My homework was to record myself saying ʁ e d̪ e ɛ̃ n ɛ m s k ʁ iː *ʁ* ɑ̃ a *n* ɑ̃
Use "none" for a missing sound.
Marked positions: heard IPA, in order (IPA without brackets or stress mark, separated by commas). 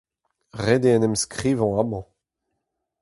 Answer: v, m